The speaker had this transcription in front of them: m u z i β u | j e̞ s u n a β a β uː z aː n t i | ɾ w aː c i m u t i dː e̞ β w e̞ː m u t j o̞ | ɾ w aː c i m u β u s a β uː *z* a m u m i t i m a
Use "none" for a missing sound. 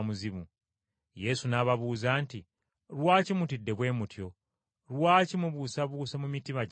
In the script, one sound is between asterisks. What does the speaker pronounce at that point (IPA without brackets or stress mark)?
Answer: s